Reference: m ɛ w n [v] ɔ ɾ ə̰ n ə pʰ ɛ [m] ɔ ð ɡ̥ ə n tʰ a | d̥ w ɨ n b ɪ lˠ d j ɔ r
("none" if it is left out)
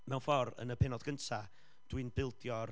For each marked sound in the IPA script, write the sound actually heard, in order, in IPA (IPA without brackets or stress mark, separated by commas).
f, n